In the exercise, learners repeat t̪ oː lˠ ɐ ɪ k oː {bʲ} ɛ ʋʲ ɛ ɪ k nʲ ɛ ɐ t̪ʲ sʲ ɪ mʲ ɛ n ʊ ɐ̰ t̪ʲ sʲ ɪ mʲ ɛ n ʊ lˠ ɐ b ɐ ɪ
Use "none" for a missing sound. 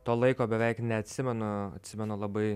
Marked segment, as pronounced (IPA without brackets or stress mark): bʲ